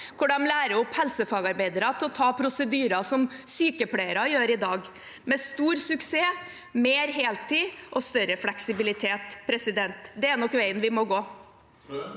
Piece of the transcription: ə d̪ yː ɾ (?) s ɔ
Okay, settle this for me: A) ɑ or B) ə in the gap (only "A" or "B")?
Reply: A